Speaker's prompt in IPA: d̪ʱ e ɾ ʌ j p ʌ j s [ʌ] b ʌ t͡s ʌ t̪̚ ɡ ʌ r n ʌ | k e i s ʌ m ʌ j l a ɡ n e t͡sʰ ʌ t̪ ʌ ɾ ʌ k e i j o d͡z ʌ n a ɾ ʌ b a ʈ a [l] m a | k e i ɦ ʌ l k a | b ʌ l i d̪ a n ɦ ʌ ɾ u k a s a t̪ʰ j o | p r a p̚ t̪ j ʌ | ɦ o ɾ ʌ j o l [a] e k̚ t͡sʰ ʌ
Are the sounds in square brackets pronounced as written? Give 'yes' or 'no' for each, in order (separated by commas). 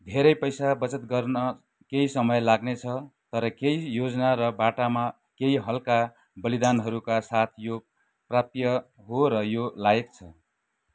no, no, yes